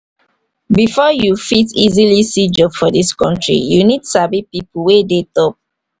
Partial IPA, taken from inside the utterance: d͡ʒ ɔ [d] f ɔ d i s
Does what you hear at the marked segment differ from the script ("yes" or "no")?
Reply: yes